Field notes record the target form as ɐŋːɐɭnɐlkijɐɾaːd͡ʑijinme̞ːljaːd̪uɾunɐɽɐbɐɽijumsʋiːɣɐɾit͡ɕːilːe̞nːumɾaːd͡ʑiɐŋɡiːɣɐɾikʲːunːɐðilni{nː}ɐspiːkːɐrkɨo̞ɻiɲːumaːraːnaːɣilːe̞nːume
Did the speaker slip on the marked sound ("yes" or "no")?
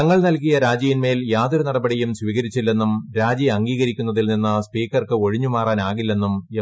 no